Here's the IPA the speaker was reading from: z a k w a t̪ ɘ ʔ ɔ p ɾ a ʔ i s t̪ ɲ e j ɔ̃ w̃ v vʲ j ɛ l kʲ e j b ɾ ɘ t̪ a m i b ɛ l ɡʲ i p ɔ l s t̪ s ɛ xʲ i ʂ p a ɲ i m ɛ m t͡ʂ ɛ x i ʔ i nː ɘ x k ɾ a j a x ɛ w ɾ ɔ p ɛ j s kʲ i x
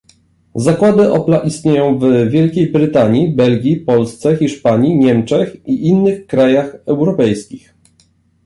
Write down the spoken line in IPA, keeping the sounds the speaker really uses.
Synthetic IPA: z a k w a d̪ ɘ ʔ ɔ p l a ʔ i s t̪ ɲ e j ɔ̃ w̃ v vʲ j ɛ l kʲ e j b ɾ ɘ t̪ a ɲ i b ɛ l ɡʲ i p ɔ l s t̪ s ɛ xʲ i ʂ p a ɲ i ɲ ɛ m t͡ʂ ɛ x i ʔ i nː ɘ x k ɾ a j a x ɛ w ɾ ɔ p ɛ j s kʲ i x